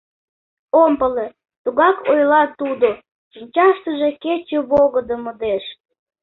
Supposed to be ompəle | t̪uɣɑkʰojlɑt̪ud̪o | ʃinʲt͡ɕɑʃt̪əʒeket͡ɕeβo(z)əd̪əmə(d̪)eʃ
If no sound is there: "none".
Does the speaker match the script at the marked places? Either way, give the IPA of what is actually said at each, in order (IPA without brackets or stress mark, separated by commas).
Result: ɣ, d̪